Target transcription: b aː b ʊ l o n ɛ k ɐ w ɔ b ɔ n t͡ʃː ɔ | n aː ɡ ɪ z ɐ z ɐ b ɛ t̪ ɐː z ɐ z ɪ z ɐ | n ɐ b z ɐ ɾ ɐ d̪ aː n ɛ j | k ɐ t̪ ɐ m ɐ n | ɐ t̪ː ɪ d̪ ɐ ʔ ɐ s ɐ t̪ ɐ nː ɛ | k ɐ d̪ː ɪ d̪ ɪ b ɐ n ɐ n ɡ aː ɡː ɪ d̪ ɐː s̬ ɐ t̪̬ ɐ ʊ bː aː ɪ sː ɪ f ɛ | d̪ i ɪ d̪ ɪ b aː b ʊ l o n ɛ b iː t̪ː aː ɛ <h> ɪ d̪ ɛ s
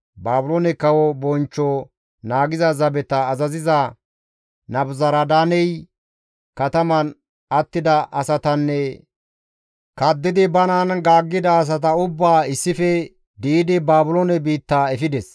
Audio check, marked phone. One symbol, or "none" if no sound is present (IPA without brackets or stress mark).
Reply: f